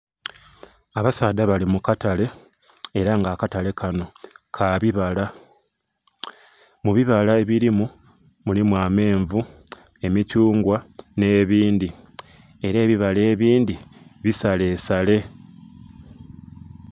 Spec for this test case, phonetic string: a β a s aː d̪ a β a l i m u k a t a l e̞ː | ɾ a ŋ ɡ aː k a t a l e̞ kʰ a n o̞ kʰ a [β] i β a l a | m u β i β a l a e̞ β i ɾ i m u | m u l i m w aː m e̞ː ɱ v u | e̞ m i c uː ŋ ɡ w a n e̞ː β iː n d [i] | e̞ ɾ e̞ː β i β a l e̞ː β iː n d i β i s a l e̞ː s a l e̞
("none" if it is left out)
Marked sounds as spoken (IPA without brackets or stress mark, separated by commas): β, i